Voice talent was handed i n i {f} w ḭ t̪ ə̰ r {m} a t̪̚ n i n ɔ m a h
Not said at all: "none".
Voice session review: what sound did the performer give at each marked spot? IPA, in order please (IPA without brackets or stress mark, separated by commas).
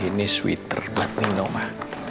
s, b